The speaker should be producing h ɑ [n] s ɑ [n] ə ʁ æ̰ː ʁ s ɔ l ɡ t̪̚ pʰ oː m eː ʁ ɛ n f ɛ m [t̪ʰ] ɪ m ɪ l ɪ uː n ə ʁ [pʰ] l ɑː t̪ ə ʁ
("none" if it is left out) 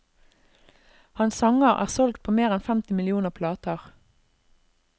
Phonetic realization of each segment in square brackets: n, ŋ, t̪, pʰ

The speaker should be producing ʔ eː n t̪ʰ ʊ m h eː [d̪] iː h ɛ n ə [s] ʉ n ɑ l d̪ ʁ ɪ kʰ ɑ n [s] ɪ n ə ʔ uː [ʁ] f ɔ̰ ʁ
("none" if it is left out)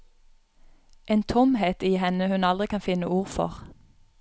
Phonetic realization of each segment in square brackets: t̪, h, f, ʁ

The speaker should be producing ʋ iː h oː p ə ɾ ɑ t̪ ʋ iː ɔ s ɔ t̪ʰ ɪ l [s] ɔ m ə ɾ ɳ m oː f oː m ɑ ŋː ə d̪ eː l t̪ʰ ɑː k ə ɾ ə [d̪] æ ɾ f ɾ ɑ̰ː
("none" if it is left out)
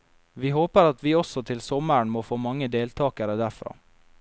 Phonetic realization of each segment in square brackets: s, d̪

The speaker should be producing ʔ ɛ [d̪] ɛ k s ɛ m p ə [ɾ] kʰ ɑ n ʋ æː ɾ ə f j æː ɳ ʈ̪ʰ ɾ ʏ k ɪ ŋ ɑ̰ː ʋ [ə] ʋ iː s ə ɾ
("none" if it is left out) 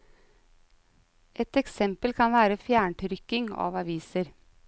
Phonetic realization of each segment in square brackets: t̪, l, ɑ

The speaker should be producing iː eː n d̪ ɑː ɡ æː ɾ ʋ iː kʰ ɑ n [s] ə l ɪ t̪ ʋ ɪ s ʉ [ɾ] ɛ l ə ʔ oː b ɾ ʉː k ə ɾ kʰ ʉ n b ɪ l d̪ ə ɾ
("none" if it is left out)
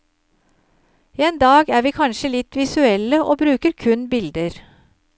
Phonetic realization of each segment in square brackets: ʃ, none

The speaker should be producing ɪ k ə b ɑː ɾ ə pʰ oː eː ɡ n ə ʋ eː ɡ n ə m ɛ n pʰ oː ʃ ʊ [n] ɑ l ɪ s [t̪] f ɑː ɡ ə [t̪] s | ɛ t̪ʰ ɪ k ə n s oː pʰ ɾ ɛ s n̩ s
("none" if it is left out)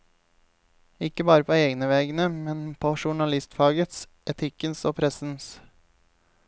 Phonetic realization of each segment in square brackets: ɳ, t̪, t̪

